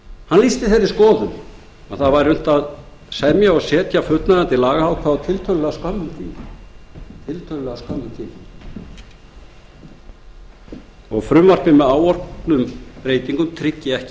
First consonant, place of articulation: glottal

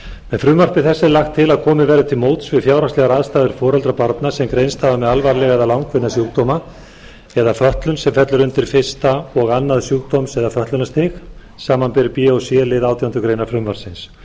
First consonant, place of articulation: labial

